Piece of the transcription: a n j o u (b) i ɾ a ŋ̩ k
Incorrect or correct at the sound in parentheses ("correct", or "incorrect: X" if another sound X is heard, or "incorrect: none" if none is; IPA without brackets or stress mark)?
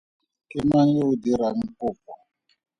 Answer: incorrect: d